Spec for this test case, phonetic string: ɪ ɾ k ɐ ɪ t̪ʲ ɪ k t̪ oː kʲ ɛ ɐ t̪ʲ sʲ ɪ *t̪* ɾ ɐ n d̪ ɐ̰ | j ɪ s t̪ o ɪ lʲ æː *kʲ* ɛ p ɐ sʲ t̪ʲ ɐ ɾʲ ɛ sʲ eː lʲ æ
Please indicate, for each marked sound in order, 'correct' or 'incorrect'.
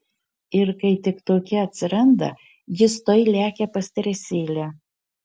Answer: incorrect: none, correct

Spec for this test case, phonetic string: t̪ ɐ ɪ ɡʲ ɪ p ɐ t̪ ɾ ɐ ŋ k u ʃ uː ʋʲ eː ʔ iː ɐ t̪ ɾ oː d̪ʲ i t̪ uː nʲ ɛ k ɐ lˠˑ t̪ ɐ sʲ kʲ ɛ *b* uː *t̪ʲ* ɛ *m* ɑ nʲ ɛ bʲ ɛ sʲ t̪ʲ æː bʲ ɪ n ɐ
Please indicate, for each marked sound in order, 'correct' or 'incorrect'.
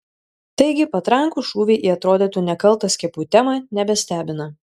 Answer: incorrect: p, correct, correct

